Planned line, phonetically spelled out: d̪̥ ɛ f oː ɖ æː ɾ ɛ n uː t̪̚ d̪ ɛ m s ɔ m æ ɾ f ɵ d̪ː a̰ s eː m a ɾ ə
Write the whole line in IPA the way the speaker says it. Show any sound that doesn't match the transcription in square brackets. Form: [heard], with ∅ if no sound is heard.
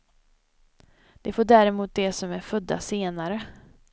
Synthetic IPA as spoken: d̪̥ ɛ f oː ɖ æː ɾ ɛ [m] uː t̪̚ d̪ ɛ [∅] s ɔ m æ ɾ f ɵ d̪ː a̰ s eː [n] a ɾ ə